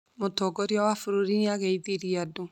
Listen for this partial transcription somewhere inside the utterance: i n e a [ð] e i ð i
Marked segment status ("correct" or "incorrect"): incorrect